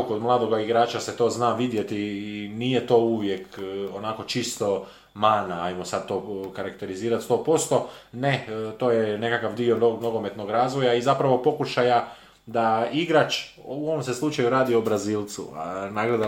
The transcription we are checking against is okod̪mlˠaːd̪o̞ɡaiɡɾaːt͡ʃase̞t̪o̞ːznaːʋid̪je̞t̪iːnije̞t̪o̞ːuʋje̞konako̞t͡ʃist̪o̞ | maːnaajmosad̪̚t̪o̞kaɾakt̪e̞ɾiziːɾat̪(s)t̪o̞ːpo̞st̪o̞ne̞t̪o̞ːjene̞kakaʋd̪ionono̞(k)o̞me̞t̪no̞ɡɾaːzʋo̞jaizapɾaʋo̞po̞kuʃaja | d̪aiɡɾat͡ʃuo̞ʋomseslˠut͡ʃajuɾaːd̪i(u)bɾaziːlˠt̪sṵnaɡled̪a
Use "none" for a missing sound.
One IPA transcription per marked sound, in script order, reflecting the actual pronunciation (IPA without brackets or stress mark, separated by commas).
s, ɡ, o